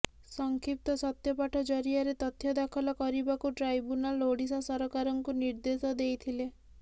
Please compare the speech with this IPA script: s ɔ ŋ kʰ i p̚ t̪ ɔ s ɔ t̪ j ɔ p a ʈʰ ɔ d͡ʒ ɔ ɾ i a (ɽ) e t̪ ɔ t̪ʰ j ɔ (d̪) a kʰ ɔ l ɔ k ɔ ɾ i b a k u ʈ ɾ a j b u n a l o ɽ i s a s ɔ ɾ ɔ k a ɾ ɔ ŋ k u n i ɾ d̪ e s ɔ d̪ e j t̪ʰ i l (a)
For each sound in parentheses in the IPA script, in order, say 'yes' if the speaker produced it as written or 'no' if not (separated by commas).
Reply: no, yes, no